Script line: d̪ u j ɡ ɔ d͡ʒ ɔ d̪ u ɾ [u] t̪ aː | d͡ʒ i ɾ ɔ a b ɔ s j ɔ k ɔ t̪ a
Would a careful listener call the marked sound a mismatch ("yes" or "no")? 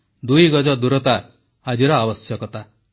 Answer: yes